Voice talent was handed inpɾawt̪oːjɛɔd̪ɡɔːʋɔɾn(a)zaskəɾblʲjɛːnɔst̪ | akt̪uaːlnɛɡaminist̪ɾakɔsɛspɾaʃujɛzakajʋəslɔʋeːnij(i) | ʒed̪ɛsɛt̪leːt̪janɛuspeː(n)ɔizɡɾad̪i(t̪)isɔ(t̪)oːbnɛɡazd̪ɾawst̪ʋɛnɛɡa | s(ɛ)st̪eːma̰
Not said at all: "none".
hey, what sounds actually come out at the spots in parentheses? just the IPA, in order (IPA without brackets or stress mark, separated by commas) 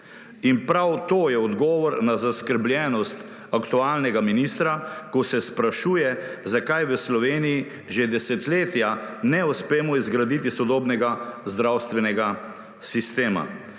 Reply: a, i, m, t̪, d̪, i